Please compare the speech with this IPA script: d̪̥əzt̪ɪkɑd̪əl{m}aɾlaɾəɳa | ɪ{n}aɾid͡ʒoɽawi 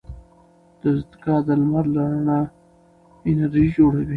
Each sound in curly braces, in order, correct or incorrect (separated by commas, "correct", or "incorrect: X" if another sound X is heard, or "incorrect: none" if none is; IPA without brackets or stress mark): correct, correct